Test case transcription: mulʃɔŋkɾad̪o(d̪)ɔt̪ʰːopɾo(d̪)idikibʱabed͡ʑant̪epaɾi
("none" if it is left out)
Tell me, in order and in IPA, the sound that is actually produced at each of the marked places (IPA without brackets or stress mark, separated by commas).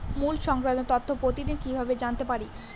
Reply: t̪, t̪